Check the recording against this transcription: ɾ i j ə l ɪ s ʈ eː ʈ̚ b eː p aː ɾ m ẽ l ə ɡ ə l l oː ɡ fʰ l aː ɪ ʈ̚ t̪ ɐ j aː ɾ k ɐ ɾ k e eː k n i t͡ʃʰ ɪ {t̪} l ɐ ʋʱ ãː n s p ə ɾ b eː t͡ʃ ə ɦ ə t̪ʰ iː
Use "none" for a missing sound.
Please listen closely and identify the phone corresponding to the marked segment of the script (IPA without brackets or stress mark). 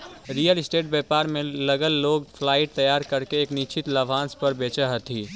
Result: t̪